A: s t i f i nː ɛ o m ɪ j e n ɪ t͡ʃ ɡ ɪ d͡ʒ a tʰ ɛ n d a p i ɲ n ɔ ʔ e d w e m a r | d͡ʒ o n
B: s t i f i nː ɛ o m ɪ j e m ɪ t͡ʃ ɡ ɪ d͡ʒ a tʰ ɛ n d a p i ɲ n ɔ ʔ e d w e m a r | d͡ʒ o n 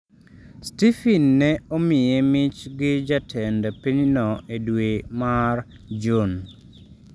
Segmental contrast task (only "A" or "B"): B